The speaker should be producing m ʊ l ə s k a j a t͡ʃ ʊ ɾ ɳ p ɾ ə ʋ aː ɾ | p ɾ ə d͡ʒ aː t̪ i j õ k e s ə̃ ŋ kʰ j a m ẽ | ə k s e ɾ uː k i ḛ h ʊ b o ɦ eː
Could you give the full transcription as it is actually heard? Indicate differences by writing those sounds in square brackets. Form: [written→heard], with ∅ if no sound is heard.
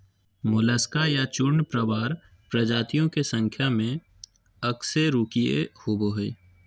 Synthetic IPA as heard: m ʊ l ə s k a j a t͡ʃ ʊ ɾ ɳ p ɾ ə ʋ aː ɾ | p ɾ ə d͡ʒ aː t̪ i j õ k e s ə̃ ŋ kʰ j a m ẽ | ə k s e ɾ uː k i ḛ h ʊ b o ɦ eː

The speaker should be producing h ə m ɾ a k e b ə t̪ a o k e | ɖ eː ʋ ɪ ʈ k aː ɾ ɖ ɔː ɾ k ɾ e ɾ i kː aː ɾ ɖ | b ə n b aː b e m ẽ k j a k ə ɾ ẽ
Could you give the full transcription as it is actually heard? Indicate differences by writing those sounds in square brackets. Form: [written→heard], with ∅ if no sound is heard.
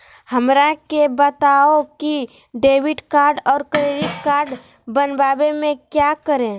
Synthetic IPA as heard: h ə m ɾ a k e b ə t̪ a o k [e→i] | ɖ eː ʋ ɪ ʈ k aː ɾ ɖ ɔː ɾ k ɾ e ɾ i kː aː ɾ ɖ | b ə n b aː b e m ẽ k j a k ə ɾ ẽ

